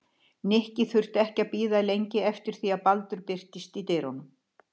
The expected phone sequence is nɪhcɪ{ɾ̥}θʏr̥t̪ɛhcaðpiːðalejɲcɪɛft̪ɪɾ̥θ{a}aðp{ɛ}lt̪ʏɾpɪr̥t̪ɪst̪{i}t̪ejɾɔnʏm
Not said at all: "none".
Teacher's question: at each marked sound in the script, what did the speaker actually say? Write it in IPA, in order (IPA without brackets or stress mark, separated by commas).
none, i, a, i